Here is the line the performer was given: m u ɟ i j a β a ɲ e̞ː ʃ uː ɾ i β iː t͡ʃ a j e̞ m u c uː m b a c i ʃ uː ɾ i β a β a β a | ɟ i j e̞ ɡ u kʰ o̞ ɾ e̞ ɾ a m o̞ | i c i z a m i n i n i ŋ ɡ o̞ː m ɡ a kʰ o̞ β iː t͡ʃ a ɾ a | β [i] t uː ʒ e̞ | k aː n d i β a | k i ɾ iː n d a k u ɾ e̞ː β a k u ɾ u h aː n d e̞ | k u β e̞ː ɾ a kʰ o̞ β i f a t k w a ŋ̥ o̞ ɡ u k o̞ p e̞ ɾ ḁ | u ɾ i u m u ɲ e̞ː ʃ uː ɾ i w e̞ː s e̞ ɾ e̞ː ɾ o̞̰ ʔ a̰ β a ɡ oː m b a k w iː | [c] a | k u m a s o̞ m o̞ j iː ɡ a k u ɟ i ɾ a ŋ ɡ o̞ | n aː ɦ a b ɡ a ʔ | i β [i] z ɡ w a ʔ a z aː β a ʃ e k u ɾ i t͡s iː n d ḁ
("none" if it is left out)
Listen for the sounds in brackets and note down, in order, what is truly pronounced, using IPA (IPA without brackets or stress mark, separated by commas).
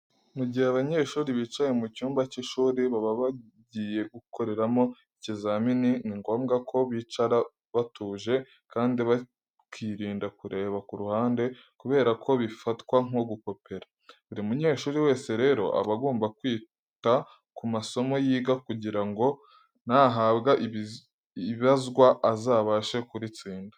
a, t, a